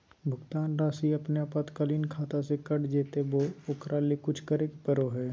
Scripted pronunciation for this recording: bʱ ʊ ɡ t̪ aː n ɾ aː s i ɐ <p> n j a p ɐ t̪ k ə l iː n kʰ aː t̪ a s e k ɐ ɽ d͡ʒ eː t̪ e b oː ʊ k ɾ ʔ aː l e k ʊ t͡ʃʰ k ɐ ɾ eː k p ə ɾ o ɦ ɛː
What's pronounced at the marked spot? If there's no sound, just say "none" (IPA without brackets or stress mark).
p